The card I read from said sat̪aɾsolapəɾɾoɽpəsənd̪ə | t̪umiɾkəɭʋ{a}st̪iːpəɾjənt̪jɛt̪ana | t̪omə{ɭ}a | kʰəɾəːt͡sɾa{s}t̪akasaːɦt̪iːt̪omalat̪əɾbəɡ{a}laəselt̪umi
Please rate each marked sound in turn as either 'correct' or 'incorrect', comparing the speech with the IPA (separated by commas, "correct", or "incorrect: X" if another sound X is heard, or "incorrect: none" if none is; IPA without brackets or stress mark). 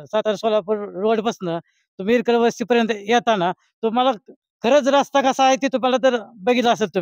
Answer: incorrect: ə, incorrect: l, correct, incorrect: i